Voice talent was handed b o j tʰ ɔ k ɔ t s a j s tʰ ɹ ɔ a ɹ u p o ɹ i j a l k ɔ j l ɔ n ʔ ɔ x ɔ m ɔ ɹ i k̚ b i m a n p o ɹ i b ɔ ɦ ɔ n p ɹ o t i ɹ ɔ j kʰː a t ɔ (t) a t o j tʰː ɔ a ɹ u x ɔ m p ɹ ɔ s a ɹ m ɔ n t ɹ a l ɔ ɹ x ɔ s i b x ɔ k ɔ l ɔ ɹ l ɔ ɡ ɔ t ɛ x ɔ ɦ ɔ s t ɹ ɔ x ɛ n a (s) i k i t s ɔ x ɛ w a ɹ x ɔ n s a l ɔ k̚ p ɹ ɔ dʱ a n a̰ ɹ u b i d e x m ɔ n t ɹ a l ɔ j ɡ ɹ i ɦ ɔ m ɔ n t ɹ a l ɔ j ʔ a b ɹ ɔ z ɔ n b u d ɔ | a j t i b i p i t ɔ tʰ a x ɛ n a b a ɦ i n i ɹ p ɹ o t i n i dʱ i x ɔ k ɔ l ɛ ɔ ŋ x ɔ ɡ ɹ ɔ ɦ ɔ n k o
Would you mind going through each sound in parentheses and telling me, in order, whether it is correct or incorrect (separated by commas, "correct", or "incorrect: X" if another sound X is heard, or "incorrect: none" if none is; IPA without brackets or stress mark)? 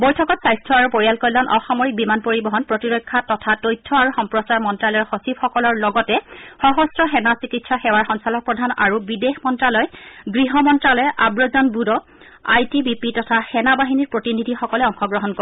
incorrect: tʰ, correct